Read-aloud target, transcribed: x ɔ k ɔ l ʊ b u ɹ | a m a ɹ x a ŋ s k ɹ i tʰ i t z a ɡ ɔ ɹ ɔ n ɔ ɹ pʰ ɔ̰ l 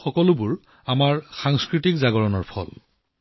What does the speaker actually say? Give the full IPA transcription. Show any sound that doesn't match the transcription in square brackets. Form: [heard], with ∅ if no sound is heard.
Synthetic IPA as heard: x ɔ k ɔ l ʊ b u ɹ | a m a ɹ x a ŋ s k ɹ i [t] i [k] z a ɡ ɔ ɹ ɔ n ɔ ɹ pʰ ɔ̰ l